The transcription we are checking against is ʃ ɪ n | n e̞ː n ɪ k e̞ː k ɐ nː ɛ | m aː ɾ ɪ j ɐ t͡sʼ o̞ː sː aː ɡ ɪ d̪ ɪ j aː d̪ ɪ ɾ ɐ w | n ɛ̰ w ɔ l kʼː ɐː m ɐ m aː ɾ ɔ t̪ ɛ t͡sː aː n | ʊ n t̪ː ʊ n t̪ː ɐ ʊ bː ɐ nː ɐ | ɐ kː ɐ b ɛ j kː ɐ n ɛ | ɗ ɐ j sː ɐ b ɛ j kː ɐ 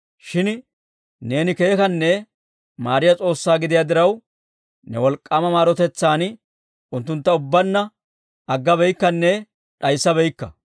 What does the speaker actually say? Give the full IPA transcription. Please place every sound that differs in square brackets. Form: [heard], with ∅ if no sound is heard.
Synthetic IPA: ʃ ɪ n | n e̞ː n ɪ k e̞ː k ɐ nː ɛ | m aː ɾ ɪ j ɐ t͡sʼ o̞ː sː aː ɡ ɪ d̪ ɪ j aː d̪ ɪ ɾ ɐ w | n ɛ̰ w ɔ l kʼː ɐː m ɐ m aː ɾ ɔ t̪ ɛ t͡sː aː n | ʊ n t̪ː ʊ n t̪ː ɐ ʊ bː ɐ nː ɐ | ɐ [ɡː] ɐ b ɛ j kː ɐ [nː] ɛ | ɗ ɐ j sː ɐ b ɛ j kː ɐ